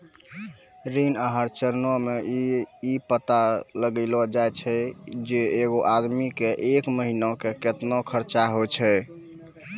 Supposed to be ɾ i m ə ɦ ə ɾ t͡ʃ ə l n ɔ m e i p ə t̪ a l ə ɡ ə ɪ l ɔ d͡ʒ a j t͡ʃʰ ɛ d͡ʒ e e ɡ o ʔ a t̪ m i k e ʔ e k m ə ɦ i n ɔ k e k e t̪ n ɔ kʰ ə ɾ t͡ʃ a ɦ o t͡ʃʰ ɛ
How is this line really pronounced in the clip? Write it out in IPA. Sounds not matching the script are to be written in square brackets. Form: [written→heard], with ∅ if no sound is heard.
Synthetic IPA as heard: ɾ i [m→n] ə ɦ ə ɾ t͡ʃ ə [l→ɾ] n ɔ m e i p ə t̪ a l ə ɡ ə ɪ l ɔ d͡ʒ a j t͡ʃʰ ɛ d͡ʒ e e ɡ o ʔ a [t̪→d̪] m i k e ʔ e k m ə ɦ i n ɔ k e k e t̪ n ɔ kʰ ə ɾ t͡ʃ a ɦ o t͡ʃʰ ɛ

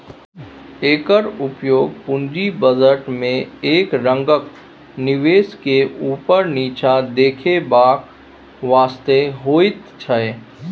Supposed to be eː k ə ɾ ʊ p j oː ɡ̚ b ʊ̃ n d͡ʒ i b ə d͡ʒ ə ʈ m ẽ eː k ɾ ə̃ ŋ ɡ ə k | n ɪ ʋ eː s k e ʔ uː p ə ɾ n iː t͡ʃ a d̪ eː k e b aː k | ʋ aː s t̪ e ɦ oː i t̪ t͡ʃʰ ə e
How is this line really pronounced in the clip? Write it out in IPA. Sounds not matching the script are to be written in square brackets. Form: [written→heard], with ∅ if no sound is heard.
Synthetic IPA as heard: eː k ə ɾ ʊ p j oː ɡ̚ [b→p] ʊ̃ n d͡ʒ i b ə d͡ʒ ə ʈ m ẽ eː k ɾ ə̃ ŋ ɡ ə k | n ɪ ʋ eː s k e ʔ uː p ə ɾ n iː t͡ʃ a d̪ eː [k→kʰ] e b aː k | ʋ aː s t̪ e ɦ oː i t̪ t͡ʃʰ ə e

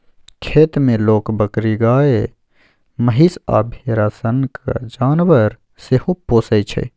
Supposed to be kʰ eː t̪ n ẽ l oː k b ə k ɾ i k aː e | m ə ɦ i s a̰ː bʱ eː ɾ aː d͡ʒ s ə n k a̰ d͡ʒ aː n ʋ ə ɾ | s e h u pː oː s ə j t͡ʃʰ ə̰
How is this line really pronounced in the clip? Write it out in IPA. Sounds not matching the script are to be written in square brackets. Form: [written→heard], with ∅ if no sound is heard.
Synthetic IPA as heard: kʰ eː t̪ [n→m] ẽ l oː k b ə k ɾ i [k→ɡ] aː e | m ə ɦ i s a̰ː bʱ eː ɾ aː [d͡ʒ→∅] s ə n k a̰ d͡ʒ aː n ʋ ə ɾ | s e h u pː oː s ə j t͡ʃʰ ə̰

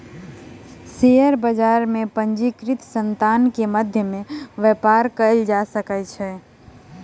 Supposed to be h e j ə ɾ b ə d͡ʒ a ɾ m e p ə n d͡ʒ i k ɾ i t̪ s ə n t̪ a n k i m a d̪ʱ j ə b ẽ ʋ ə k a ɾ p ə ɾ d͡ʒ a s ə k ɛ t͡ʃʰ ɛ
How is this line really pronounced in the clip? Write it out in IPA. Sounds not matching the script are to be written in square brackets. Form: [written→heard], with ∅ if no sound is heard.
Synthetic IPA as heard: [h→s] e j ə ɾ b ə d͡ʒ a ɾ m e p ə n d͡ʒ i k ɾ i t̪ s ə n t̪ a n k [i→e] m [a→ə] d̪ʱ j ə [b→m] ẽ ʋ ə [k→p] a ɾ [p→k] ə [ɾ→l] d͡ʒ a s ə k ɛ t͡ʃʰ ɛ

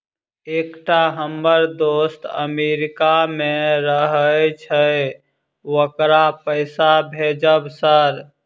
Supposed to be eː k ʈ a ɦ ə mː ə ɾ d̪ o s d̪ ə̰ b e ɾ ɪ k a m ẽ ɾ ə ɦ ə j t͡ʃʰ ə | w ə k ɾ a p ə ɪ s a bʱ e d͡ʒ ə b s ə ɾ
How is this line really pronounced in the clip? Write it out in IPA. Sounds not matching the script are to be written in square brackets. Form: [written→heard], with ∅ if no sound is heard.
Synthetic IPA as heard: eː k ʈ a ɦ ə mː ə ɾ d̪ o s [d̪→t̪] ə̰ [b→m] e ɾ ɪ k a m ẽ ɾ ə ɦ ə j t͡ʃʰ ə | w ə k ɾ a p ə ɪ s a bʱ e d͡ʒ ə b s ə ɾ

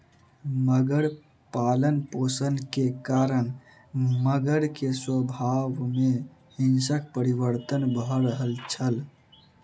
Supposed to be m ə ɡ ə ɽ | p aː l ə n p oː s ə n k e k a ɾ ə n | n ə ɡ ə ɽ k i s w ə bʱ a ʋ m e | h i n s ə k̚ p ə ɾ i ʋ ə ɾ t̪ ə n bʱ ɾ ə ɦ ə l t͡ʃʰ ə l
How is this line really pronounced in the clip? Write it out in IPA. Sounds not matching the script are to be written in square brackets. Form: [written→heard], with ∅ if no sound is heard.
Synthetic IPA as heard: m ə ɡ ə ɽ | p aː l ə n p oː s ə n k e k a ɾ ə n | [n→m] ə ɡ ə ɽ k [i→e] s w ə bʱ a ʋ m e | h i n s ə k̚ p ə ɾ i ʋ ə ɾ t̪ ə n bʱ ɾ ə ɦ ə l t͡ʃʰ ə l

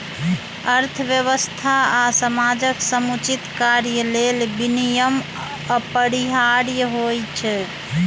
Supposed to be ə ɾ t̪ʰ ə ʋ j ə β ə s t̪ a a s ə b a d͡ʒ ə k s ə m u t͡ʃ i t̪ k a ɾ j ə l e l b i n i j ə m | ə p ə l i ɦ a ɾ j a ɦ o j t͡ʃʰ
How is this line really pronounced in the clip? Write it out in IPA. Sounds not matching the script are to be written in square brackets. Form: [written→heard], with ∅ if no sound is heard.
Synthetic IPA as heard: ə ɾ t̪ʰ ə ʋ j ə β ə s [t̪→t̪ʰ] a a s ə [b→m] a d͡ʒ ə k s ə m u t͡ʃ i t̪ k a ɾ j ə l e l b i n i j ə m | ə p ə [l→ɾ] i ɦ a ɾ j [a→ə] ɦ o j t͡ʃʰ

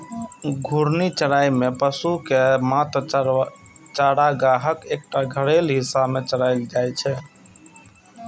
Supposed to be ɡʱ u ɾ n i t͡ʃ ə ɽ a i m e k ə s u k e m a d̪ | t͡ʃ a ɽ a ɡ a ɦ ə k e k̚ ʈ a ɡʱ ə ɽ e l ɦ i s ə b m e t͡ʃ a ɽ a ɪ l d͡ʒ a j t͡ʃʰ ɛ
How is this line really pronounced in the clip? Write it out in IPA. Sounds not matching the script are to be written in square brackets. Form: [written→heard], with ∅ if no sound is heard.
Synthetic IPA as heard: ɡʱ u ɾ n i t͡ʃ ə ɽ a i m e [k→p] ə s u k e m a [d̪→t̪] | t͡ʃ a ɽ a ɡ a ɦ ə k e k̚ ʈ a ɡʱ ə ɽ e l ɦ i s [ə→a] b m e t͡ʃ [a→ə] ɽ a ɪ l d͡ʒ a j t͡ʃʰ ɛ

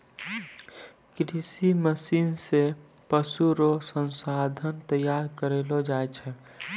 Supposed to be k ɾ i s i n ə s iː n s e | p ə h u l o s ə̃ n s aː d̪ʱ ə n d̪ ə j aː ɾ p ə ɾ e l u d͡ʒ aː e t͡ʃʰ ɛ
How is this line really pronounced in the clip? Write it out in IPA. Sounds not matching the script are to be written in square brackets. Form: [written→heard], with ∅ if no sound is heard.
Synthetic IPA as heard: k ɾ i s i [n→m] ə s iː n s e | p ə [h→s] u [l→ɾ] o s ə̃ n s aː d̪ʱ ə n [d̪→t̪] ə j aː ɾ [p→k] ə ɾ e l [u→o] d͡ʒ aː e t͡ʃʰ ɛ

